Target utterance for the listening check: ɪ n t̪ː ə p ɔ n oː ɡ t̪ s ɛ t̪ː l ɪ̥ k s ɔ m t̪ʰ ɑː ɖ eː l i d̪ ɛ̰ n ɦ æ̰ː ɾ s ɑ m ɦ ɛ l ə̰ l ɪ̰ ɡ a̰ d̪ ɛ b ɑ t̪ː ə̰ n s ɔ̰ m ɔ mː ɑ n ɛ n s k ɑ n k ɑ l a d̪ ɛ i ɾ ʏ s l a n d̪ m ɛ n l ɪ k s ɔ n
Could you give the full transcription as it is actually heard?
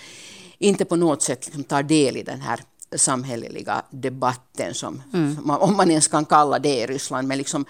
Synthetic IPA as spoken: ɪ n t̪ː ə p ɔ n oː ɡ t̪ s ɛ t̪ː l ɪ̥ k s ɔ m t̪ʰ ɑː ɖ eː l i d̪ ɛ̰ n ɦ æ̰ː ɾ s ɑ m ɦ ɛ l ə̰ l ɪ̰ ɡ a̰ d̪ ɛ b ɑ t̪ː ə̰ n s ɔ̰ m ɔ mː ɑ n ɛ n s k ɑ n k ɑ lː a d̪ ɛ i ɾ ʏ s l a n d̪ m ɛ n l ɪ k s ɔ m